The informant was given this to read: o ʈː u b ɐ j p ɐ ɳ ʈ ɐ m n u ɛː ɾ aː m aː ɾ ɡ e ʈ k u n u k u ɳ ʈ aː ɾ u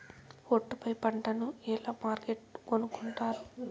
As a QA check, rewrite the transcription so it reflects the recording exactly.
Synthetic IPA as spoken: o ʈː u p ɐ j p ɐ ɳ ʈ ɐ n u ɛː l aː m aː ɾ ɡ e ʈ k o n u k u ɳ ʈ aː ɾ u